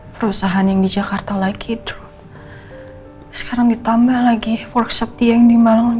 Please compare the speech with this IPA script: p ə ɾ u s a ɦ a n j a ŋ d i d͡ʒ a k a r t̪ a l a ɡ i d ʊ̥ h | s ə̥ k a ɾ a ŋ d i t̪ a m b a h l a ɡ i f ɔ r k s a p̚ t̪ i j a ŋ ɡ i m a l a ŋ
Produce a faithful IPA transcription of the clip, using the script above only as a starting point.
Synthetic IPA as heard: p ə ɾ u s a ɦ a n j a ŋ d i d͡ʒ a k a r t̪ a l a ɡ i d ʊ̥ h | s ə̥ k a ɾ a ŋ d i t̪ a m b a h l a ɡ i f ɔ r k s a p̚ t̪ i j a ŋ d i m a l a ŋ